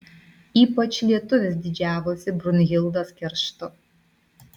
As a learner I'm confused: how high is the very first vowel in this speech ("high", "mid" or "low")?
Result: high